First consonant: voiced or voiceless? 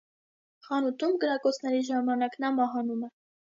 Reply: voiceless